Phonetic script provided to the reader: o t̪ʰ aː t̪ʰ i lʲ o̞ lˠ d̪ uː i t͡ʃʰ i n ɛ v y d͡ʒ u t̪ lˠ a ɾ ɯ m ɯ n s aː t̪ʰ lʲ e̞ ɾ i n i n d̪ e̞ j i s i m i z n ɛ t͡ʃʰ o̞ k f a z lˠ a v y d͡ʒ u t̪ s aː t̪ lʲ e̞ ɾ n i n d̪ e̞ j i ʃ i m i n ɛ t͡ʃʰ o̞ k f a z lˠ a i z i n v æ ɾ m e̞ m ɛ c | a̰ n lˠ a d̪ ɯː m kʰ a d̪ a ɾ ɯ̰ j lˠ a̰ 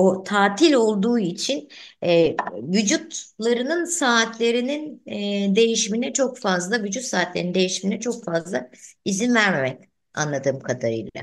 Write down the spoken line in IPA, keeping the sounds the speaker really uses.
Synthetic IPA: o t̪ʰ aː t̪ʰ i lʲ o̞ lˠ d̪ uː i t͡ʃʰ i n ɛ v y d͡ʒ u t̪ lˠ a ɾ ɯ n ɯ n s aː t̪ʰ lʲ e̞ ɾ i n i n d̪ e̞ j i ʃ i m i n ɛ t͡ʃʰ o̞ k f a z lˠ a v y d͡ʒ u t̪ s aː t̪ lʲ e̞ ɾ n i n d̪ e̞ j i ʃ i m i n ɛ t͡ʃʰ o̞ k f a z lˠ a i z i n v æ ɾ m e̞ m ɛ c | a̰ n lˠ a d̪ ɯː m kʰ a d̪ a ɾ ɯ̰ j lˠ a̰